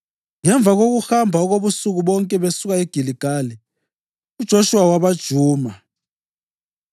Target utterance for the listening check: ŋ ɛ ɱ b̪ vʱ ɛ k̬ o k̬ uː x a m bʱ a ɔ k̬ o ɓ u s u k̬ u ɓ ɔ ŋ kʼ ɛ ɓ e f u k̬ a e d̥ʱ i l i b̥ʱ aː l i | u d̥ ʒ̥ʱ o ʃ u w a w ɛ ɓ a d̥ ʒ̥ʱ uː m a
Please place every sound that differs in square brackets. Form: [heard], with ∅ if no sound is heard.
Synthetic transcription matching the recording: ŋ ɛ ɱ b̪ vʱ [a] k̬ o k̬ [u] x a m bʱ a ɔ k̬ o ɓ u s u k̬ u ɓ ɔ ŋ kʼ ɛ ɓ e [s] u k̬ a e [ɡ̥ʱ] i l i [ɡ̥ʱ] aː l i | u d̥ ʒ̥ʱ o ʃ u w a w [a] ɓ a d̥ ʒ̥ʱ uː m a